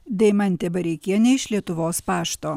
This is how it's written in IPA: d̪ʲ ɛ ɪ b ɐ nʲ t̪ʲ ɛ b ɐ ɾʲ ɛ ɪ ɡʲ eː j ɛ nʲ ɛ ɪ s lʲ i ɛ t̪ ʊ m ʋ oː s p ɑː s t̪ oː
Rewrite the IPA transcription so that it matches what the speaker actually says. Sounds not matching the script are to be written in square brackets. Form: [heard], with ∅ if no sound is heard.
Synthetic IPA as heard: d̪ʲ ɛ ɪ [m] ɐ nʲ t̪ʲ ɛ b ɐ ɾʲ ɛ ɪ [kʲ] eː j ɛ nʲ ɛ ɪ [ʃ] lʲ i ɛ t̪ ʊ [∅] ʋ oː s p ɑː [ʃ] t̪ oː